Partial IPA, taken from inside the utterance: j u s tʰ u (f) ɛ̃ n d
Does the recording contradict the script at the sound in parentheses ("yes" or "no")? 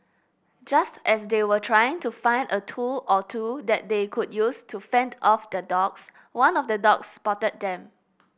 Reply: no